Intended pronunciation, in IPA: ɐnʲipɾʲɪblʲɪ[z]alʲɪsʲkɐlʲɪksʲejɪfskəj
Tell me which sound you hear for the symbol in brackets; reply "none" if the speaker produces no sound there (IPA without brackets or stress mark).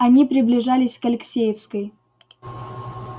ʐ